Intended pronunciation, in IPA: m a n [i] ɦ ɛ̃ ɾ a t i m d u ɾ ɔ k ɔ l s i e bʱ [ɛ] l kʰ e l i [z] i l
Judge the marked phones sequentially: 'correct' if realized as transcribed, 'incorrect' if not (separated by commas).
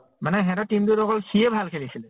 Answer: incorrect, incorrect, incorrect